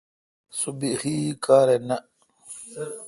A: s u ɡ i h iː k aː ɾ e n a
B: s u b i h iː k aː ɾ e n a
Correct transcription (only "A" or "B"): B